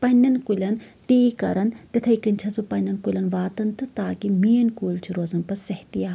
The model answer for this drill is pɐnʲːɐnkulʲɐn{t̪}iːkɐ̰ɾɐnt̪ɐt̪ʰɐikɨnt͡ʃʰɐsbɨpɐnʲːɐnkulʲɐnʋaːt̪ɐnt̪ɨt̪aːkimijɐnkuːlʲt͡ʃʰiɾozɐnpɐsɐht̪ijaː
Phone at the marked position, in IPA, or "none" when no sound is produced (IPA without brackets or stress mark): t̪